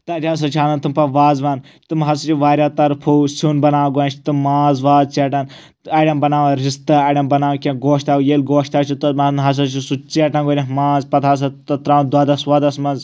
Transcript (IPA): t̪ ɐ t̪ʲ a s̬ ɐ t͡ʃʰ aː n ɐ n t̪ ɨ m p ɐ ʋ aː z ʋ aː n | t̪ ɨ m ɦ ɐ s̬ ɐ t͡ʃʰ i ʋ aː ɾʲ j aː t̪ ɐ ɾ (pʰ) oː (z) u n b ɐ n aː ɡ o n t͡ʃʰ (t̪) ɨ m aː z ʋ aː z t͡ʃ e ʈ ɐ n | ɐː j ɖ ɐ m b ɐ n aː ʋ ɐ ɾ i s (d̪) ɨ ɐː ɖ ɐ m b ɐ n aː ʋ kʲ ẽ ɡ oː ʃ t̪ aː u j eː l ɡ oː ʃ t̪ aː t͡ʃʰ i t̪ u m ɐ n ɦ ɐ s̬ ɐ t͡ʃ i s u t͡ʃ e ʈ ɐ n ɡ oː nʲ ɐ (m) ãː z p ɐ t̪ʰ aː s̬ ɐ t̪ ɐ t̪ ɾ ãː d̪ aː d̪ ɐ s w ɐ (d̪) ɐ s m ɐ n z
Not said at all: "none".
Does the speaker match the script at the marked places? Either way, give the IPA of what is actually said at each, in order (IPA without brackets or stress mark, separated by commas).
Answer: pʰ, s, t̪, t̪, m, d̪